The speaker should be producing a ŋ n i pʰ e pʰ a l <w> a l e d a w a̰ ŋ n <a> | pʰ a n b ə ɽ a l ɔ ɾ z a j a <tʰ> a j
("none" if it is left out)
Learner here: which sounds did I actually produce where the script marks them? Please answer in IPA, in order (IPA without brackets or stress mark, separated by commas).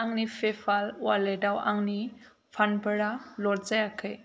w, i, kʰ